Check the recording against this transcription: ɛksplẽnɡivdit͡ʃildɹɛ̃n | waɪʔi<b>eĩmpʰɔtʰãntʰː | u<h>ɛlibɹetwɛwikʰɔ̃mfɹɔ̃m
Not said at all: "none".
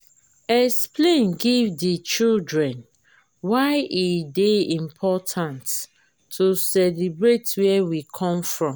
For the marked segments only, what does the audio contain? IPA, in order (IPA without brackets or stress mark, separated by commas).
d, s